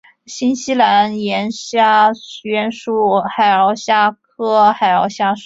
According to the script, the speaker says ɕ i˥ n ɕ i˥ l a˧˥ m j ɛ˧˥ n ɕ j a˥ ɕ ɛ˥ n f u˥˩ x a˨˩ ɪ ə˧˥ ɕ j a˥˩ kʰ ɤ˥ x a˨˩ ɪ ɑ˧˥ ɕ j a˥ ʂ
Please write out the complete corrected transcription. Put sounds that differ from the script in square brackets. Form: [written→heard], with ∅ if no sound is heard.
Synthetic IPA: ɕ i˥ n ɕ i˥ l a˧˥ [m→n] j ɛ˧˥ n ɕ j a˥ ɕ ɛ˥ n [f→ʂ] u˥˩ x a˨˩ ɪ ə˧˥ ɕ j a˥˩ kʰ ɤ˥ x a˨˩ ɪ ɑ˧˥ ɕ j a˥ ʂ